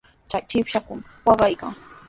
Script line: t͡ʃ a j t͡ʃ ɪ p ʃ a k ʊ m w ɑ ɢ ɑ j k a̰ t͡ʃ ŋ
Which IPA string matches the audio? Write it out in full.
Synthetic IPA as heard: t͡ʃ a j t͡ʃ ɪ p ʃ a k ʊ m w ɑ ɢ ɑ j k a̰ ŋ

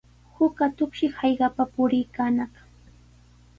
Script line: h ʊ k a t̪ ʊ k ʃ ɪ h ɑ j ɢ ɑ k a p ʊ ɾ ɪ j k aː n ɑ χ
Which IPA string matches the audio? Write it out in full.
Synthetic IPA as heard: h ʊ k a t̪ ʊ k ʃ ɪ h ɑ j ɢ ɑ p a p ʊ ɾ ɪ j k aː n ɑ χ

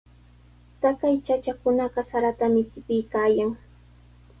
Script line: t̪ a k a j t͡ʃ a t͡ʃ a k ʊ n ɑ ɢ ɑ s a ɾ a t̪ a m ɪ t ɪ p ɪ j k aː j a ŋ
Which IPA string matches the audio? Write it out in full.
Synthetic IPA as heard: t̪ a k a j t͡ʃ a t͡ʃ a k ʊ n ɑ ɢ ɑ s a ɾ a t̪ a m ɪ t ɪ p ɪ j k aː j a ŋ

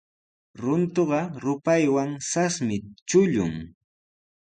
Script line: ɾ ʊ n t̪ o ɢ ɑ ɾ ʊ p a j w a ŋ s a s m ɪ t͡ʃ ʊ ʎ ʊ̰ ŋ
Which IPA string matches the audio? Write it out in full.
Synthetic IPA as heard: ɾ ʊ n t̪ o ɢ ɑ ɾ ʊ p a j w a ŋ s a s m ɪ t͡ʃ ʊ ʎ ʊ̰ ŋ

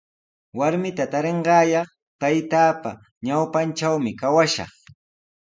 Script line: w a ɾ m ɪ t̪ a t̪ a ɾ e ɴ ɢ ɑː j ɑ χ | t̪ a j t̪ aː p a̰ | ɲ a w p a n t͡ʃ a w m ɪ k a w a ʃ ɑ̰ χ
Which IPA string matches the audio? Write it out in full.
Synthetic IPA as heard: w a ɾ m ɪ t̪ a t̪ a ɾ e ɴ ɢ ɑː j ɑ χ | t̪ a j t̪ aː p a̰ | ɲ a w p a n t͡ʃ a w m ɪ k a w a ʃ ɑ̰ χ

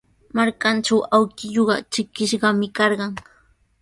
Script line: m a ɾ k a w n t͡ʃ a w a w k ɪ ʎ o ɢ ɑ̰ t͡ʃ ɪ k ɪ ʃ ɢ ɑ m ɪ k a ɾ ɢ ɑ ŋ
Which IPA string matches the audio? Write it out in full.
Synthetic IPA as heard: m a ɾ k a n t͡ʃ a w a w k ɪ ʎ o ɢ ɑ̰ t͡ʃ ɪ k ɪ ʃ ɢ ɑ m ɪ k ɑ ɾ ɢ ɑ ŋ

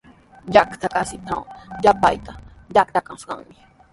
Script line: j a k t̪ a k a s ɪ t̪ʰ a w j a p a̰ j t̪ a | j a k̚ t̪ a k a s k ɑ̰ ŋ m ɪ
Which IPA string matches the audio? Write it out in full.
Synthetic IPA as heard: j a k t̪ a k a s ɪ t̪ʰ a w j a p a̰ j t̪ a | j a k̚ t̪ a k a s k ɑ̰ ŋ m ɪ

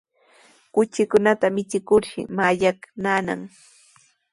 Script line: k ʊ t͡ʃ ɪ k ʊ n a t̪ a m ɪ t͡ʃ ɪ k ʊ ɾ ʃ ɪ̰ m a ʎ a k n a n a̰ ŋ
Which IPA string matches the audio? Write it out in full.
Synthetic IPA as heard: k ʊ t͡ʃ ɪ k ʊ n a t̪ a m ɪ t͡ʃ ɪ k ʊ ɾ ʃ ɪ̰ m a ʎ a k n a n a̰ ŋ

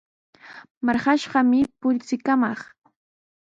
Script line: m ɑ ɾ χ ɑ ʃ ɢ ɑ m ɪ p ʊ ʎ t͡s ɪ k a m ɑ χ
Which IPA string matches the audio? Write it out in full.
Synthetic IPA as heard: m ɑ ɾ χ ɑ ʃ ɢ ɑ m ɪ p ʊ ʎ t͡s ɪ k a m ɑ χ

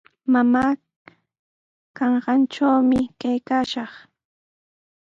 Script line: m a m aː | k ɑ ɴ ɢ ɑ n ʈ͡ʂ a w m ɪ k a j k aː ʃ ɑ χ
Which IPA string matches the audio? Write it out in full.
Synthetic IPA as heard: m a m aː | k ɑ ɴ ɢ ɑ n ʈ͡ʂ a w m ɪ k a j k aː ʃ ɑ χ

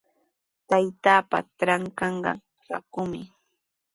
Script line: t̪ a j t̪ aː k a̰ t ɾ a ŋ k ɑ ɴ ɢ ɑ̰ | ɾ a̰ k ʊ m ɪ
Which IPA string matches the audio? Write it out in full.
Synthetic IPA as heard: t̪ a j t̪ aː p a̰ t ɾ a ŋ k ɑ ɴ ɢ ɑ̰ | ɾ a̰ k ʊ m ɪ

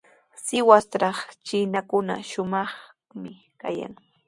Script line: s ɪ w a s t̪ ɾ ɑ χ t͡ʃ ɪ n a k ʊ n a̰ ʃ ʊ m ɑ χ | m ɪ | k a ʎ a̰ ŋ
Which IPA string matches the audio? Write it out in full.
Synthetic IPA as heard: s ɪ w a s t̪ ɾ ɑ χ t͡ʃ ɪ n a k ʊ n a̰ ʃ ʊ m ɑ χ | m ɪ | k a j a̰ ŋ

